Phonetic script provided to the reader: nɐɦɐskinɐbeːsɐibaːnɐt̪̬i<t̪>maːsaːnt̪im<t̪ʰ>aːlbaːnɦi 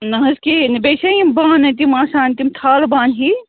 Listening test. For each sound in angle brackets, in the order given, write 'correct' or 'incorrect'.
incorrect, correct

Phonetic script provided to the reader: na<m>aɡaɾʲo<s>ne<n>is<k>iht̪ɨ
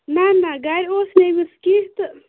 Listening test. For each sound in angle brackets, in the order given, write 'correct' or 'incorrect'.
incorrect, correct, incorrect, correct

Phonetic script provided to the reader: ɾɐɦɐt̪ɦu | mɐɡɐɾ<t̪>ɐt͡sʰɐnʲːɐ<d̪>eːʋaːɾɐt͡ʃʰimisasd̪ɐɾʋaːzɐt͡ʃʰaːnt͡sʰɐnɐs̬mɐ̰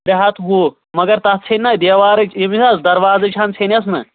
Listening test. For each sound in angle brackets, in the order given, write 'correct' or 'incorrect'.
correct, correct

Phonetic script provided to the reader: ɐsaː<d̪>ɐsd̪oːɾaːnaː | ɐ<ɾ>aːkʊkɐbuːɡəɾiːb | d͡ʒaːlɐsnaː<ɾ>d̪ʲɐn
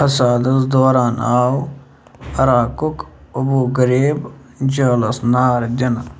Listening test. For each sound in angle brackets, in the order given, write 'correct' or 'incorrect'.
correct, correct, correct

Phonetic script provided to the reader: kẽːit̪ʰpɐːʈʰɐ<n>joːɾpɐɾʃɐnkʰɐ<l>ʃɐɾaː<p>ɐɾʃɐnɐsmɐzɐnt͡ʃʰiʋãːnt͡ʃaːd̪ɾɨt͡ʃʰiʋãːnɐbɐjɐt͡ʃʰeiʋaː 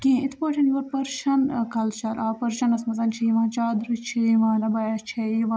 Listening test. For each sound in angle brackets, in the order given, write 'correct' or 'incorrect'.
correct, correct, correct

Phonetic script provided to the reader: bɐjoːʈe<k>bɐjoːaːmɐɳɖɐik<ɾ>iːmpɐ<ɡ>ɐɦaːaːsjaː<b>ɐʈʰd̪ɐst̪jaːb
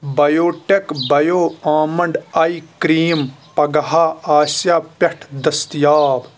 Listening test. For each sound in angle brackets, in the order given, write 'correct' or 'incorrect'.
correct, correct, correct, incorrect

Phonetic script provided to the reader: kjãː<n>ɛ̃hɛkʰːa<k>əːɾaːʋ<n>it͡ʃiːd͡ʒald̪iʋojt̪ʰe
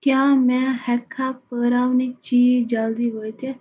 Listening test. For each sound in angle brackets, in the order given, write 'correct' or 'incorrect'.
incorrect, incorrect, correct

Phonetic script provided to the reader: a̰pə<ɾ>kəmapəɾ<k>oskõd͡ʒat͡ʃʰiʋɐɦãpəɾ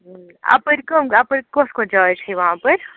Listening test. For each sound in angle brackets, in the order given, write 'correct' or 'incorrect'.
correct, correct

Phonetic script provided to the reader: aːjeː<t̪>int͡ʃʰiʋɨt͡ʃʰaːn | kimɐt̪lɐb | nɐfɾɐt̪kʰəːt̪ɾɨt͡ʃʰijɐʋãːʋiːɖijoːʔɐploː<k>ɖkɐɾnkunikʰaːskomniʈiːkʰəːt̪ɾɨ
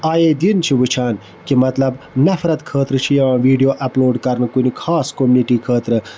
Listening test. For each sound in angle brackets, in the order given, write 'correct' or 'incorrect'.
incorrect, incorrect

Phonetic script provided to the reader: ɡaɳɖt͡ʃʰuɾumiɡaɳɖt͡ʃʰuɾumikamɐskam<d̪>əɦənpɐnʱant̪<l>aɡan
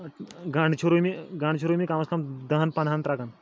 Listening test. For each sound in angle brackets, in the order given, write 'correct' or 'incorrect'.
correct, incorrect

